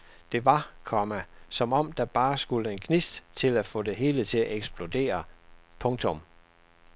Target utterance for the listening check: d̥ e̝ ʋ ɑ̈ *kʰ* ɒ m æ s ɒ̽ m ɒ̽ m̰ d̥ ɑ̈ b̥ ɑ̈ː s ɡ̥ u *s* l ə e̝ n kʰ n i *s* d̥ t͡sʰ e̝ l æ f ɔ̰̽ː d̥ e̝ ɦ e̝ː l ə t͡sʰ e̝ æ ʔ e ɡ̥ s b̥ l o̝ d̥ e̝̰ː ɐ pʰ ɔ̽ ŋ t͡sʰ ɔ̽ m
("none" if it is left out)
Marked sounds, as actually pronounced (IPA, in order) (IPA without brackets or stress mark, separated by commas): kʰ, none, s